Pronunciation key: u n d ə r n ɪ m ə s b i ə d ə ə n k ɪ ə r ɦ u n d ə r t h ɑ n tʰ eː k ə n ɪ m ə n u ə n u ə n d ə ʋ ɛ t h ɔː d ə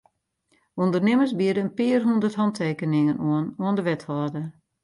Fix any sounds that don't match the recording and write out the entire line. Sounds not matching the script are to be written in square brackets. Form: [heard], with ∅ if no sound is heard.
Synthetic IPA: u n d ə r n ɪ m ə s b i ə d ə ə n [p] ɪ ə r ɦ u n d ə r t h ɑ n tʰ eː k ə n ɪ [ŋ] ə n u ə n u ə n d ə ʋ ɛ t h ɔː d ə

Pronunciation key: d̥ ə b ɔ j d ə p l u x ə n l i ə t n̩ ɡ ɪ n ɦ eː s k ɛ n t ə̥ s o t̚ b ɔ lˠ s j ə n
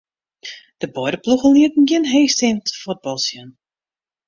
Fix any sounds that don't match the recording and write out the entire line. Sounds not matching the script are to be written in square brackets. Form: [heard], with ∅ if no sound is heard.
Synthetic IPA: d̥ ə b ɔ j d ə p l u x ə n l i ə t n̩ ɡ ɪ n ɦ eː s [t] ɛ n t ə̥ [f] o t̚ b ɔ lˠ s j ə n

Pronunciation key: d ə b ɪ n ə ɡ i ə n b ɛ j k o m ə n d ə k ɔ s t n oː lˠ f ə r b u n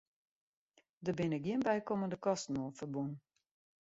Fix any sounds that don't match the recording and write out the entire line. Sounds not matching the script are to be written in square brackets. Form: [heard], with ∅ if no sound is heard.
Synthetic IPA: d ə b ɪ n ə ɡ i ə n b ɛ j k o m ə n d ə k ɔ s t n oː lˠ f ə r b u n

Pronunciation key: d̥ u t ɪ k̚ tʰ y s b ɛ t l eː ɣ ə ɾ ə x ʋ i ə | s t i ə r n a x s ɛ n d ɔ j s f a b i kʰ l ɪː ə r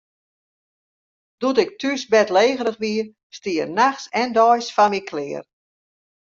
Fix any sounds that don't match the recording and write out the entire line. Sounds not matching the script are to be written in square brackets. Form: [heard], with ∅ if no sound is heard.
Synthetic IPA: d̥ u t ɪ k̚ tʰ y s b ɛ t l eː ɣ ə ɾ ə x ʋ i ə | s t i ə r n a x s ɛ n d ɔ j s f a [m] i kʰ l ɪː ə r

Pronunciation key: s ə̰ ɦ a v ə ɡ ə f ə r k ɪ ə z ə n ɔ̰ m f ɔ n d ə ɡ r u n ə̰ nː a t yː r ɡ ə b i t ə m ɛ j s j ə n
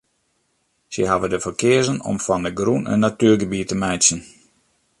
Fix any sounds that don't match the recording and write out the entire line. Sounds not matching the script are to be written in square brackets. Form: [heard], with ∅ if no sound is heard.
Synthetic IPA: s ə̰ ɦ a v ə [d] ə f ə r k ɪ ə z ə n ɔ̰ m f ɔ n d ə ɡ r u n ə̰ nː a t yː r ɡ ə b i t ə m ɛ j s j ə n

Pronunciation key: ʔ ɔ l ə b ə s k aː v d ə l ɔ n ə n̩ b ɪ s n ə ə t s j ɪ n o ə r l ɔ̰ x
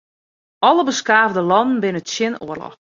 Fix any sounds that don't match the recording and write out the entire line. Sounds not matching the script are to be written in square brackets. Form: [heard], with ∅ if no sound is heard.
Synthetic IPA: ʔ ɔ l ə b ə s k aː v d ə l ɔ n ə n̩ b ɪ [∅] n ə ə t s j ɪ n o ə r l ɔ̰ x

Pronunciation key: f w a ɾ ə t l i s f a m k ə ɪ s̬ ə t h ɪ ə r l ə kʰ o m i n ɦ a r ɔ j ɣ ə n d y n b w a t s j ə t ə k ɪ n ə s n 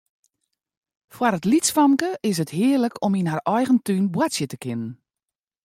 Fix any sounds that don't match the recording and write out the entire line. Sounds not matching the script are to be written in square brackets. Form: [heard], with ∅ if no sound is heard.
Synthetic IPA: f w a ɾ ə t l i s f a m k ə ɪ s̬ ə t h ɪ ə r l ə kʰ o m i n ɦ a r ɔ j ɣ ə n [t] y n b w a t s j ə t ə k ɪ n ə [∅] n

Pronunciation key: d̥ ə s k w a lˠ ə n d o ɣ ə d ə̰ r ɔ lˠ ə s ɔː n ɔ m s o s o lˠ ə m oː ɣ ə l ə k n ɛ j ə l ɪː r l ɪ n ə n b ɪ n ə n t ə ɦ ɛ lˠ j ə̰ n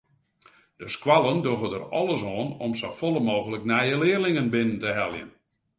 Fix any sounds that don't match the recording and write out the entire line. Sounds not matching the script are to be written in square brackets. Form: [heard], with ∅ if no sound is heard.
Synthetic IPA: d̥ ə s k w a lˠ ə n d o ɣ ə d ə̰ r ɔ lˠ ə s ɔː n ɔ m s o [f] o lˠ ə m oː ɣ ə l ə k n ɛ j ə l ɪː r l ɪ [ŋ] ə n b ɪ n ə n t ə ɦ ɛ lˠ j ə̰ n

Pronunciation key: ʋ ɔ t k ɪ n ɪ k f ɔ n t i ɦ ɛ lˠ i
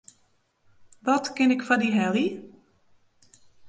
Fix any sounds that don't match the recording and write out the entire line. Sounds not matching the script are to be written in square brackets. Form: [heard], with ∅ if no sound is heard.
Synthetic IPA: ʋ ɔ t k ɪ n ɪ k f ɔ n [d] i ɦ ɛ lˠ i

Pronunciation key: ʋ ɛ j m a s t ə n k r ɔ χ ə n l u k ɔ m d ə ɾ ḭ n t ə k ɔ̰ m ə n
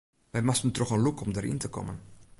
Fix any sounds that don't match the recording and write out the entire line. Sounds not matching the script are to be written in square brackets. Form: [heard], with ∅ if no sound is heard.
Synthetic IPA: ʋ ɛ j m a s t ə n [t] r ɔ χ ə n l u k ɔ m d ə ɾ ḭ n t ə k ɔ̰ m ə n

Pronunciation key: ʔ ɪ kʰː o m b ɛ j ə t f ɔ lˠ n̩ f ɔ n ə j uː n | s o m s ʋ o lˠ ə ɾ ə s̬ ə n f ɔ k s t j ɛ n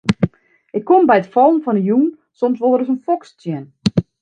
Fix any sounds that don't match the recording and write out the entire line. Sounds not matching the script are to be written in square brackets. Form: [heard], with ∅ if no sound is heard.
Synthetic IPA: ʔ ɪ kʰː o m b ɛ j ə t f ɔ lˠ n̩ f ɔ n ə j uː n | s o m s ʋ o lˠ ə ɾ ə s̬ ə n f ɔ k s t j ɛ n

